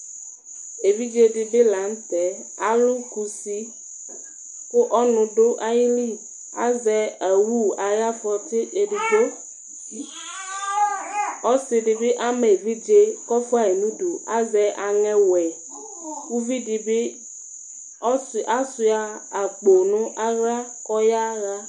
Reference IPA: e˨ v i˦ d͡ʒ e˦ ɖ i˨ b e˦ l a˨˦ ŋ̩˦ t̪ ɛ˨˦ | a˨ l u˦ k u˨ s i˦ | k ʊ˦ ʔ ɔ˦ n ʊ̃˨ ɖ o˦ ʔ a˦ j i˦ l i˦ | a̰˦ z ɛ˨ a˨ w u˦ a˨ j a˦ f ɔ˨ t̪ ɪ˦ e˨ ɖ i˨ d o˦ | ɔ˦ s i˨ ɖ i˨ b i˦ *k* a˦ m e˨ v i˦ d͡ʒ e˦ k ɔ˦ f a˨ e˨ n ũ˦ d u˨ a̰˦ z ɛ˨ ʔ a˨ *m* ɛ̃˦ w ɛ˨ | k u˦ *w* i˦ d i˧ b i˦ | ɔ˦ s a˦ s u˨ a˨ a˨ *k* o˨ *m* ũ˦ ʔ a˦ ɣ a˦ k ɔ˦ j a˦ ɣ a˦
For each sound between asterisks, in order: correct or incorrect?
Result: incorrect, incorrect, incorrect, incorrect, incorrect

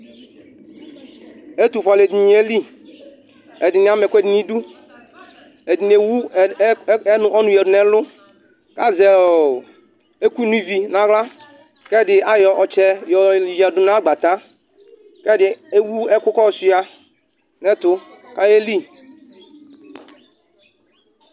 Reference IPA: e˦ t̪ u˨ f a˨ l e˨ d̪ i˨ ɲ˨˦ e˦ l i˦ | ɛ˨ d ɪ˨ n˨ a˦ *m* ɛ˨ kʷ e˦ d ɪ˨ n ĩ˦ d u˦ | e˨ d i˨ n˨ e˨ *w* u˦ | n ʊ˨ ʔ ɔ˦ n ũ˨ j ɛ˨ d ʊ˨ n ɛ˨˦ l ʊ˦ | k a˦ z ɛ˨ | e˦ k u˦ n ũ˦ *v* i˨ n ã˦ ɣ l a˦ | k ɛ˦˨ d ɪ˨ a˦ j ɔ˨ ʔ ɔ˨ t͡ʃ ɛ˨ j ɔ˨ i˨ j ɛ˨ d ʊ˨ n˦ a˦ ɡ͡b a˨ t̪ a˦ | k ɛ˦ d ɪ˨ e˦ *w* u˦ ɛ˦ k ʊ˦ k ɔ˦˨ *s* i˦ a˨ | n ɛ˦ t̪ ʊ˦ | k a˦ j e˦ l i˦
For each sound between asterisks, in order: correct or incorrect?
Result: correct, correct, correct, correct, correct

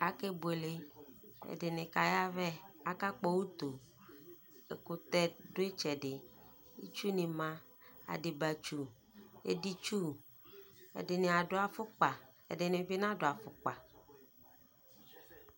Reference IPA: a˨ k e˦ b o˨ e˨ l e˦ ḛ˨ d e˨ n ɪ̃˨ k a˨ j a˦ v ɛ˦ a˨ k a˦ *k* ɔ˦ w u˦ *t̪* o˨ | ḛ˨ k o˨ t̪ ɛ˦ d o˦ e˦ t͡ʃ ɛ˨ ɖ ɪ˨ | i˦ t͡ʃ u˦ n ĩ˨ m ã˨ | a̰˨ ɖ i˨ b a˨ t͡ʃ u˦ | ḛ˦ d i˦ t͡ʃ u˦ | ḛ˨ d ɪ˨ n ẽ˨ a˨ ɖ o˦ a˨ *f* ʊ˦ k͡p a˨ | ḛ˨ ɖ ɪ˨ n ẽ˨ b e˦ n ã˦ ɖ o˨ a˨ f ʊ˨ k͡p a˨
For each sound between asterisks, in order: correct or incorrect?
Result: incorrect, correct, correct

